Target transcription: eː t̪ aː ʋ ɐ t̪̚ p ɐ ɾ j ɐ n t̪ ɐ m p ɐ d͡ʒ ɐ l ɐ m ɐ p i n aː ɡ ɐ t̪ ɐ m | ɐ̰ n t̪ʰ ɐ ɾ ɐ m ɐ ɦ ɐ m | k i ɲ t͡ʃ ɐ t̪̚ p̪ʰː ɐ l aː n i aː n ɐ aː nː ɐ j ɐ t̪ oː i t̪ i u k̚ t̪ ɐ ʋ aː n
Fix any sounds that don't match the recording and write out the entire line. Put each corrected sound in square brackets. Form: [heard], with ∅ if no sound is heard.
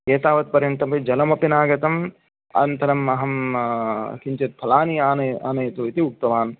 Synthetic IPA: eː t̪ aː ʋ ɐ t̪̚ p ɐ ɾ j ɐ n t̪ ɐ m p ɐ d͡ʒ ɐ l ɐ m ɐ p i n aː ɡ ɐ t̪ ɐ m | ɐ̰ n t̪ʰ ɐ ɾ ɐ m ɐ ɦ ɐ m | k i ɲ t͡ʃ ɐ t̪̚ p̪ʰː ɐ l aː n i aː n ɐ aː [n] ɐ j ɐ t̪ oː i t̪ i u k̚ t̪ ɐ ʋ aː n